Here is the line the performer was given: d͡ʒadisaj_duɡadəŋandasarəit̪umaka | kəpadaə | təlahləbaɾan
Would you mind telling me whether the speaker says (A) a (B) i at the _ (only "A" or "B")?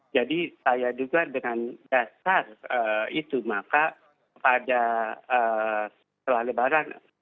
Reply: A